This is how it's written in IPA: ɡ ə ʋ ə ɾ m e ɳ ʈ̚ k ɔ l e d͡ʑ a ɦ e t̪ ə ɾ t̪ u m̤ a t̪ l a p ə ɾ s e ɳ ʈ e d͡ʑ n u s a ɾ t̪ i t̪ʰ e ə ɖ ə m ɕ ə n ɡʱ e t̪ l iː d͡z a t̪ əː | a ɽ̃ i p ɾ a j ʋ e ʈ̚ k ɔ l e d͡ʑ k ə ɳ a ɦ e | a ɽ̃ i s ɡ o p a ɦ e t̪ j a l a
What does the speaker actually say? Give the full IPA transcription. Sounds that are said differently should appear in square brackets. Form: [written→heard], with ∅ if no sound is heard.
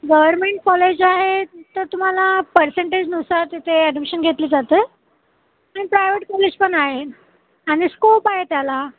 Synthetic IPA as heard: ɡ ə ʋ ə ɾ m e ɳ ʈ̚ k ɔ l e d͡ʑ a ɦ e t̪ ə ɾ t̪ u m̤ a [t̪→∅] l a p ə ɾ s e ɳ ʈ e d͡ʑ n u s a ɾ t̪ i t̪ʰ e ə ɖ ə m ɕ ə n ɡʱ e t̪ l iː d͡z a t̪ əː | a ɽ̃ i p ɾ a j ʋ e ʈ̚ k ɔ l e d͡ʑ [k→p] ə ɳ a ɦ e | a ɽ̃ i s [ɡ→k] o p a ɦ e t̪ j a l a

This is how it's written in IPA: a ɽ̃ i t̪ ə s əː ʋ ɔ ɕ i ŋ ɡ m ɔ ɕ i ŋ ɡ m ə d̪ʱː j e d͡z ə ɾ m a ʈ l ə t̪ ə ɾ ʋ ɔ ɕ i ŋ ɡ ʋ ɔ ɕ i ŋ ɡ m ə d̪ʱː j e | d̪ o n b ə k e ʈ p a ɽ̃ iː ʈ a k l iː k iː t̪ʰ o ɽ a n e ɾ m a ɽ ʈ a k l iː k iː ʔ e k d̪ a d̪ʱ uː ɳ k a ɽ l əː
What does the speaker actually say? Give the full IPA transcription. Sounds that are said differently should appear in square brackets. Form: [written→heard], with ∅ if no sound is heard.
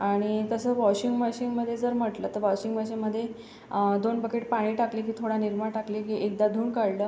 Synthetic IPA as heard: a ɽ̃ i t̪ ə s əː ʋ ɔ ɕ i ŋ ɡ m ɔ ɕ i ŋ ɡ m ə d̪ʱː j e d͡z ə ɾ m [a→ə] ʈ l ə t̪ ə ɾ ʋ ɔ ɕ i ŋ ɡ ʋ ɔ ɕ i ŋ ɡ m ə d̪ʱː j e | d̪ o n b ə k e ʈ p a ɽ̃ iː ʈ a k l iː k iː t̪ʰ o ɽ a n [e→i] ɾ m a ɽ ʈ a k l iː k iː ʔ e k d̪ a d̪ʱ uː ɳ k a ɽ l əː

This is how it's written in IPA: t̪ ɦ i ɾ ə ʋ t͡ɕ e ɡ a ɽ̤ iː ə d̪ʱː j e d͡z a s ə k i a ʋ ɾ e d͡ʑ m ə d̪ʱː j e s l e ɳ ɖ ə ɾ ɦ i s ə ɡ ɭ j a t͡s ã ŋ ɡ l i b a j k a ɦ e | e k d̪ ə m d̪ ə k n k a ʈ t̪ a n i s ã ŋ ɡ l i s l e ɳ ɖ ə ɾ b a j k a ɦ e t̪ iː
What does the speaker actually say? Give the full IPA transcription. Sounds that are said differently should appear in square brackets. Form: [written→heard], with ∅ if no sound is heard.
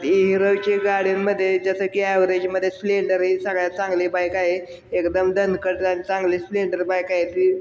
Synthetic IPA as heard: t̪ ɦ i ɾ ə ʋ t͡ɕ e ɡ a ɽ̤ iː ə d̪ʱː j e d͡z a s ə k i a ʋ ɾ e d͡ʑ m ə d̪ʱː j e s l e ɳ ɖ ə ɾ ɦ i s ə ɡ ɭ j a t͡s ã ŋ ɡ l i b a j k a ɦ e | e k d̪ ə m d̪ ə [k→∅] n k [a→ə] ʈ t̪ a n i [s→t͡s] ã ŋ ɡ l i s l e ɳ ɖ ə ɾ b a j k a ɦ e t̪ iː

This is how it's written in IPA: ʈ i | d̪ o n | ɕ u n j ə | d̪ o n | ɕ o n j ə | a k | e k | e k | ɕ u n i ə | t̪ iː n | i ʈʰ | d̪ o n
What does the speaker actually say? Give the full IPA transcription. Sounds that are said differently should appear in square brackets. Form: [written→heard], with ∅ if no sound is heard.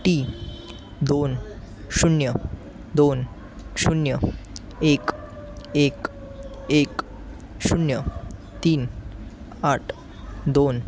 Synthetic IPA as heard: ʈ i | d̪ o n | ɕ u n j ə | d̪ o n | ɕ [o→u] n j ə | [a→e] k | e k | e k | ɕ u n [i→j] ə | t̪ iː n | [i→a] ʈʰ | d̪ o n

